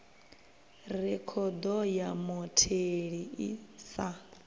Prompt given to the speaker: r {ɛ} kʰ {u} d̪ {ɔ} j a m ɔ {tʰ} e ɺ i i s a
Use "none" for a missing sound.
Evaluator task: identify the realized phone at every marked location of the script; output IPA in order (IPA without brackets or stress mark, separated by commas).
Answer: ɛ, ɔ, ɔ, tʰ